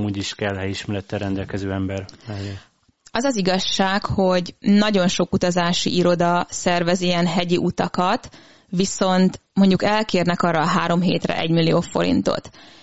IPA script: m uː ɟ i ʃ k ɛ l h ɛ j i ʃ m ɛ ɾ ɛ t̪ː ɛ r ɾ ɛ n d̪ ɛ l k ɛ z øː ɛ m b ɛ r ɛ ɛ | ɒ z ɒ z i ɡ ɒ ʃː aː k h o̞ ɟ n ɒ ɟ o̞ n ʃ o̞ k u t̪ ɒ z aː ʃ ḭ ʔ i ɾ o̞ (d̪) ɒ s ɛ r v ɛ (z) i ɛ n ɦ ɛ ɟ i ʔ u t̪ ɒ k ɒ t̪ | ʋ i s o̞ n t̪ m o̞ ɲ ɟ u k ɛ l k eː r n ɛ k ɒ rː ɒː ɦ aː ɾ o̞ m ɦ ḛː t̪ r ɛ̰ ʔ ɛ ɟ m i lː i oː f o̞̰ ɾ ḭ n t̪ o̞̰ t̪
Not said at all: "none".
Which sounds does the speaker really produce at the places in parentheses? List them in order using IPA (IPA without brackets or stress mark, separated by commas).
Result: d̪, z